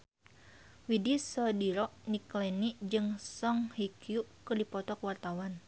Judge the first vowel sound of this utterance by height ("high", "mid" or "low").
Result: high